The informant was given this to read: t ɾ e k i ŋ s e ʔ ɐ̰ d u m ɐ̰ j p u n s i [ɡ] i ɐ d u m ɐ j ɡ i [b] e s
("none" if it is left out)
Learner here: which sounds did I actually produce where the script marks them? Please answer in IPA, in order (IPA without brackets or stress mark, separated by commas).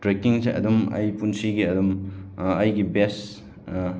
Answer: ɡ, b